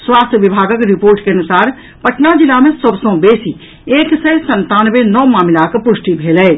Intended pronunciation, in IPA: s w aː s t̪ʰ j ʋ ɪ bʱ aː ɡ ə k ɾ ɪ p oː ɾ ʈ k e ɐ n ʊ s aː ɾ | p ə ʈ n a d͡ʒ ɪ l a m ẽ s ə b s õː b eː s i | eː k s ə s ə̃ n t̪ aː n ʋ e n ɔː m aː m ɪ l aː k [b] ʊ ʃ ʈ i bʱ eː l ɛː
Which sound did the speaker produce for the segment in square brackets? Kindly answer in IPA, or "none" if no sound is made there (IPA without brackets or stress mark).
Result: p